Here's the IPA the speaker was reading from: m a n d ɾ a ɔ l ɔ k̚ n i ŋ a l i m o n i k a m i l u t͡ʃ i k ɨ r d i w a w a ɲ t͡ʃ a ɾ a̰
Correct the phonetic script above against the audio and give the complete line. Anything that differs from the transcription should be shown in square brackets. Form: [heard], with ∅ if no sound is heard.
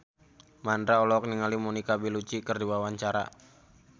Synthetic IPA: m a n d ɾ a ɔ l ɔ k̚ n i ŋ a l i m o n i k a [b] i l u t͡ʃ i k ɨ r d i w a w a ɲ t͡ʃ a ɾ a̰